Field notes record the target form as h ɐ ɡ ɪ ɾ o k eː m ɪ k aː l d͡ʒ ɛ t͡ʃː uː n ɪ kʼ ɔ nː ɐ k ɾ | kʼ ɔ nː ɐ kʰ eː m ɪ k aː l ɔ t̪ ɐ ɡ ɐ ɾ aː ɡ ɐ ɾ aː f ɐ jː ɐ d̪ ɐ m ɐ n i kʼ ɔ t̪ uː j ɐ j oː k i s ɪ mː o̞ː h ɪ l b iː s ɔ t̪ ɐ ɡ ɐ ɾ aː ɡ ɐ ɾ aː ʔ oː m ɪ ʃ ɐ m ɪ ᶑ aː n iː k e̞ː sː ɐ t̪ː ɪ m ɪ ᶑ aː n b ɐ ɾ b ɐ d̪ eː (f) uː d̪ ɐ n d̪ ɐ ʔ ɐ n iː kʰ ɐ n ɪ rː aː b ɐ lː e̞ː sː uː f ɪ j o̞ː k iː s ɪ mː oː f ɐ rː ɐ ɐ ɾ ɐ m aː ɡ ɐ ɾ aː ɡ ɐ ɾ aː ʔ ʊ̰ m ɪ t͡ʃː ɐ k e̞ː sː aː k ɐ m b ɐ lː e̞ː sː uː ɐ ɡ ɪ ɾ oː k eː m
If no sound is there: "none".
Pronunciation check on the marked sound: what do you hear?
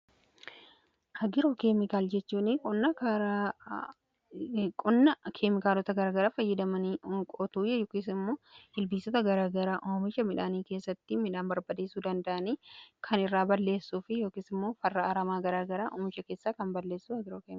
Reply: s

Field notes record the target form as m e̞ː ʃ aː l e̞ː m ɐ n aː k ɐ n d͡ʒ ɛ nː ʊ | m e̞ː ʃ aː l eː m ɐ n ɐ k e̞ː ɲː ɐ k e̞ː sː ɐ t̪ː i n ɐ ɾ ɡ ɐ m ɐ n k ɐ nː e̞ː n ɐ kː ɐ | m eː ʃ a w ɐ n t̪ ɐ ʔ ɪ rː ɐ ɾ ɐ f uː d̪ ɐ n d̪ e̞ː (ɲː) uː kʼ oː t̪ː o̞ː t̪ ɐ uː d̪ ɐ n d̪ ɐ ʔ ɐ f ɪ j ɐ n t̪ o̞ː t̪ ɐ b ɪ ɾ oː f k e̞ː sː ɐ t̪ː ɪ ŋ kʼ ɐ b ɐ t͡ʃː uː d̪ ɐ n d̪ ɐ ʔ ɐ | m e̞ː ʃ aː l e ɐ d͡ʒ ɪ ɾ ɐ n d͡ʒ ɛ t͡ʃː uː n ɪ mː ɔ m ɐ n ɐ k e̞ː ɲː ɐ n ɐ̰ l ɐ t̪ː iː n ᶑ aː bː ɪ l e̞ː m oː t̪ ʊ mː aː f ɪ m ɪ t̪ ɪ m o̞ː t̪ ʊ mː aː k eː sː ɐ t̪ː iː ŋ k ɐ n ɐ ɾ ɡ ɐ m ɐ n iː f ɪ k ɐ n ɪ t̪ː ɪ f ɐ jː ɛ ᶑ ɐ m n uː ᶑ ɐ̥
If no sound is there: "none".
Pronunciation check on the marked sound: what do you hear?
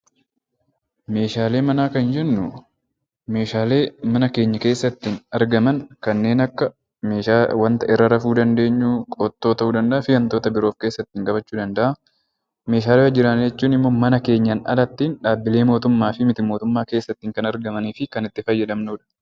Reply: ɲː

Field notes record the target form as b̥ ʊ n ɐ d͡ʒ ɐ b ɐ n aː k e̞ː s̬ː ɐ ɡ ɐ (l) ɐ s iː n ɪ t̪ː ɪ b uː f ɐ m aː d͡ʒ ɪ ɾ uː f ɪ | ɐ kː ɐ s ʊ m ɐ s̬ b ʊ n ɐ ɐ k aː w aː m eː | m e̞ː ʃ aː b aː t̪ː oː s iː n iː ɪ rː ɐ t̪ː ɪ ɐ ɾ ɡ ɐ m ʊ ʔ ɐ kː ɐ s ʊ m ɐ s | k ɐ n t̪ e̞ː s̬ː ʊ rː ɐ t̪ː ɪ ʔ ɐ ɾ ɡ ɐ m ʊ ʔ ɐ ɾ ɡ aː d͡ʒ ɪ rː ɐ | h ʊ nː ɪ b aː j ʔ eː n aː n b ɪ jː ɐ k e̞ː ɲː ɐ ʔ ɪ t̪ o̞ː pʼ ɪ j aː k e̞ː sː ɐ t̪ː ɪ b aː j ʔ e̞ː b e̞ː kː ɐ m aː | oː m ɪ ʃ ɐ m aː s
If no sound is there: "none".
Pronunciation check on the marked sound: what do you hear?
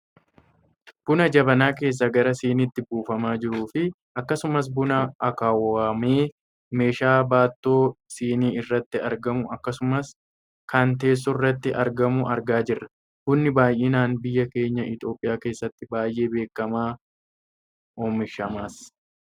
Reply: ɾ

